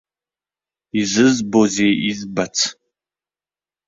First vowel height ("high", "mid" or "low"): high